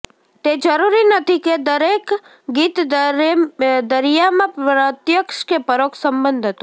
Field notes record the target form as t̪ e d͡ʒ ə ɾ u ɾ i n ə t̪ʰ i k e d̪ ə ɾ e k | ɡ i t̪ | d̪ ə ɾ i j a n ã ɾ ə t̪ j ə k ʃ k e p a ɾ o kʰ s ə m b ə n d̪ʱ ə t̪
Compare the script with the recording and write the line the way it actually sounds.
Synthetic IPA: t̪ e d͡ʒ ə ɾ u ɾ i n ə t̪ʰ i k e d̪ ə ɾ e k | ɡ i t̪ | d̪ ə ɾ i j a m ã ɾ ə t̪ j ə k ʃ k e p ə ɾ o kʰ s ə m b ə n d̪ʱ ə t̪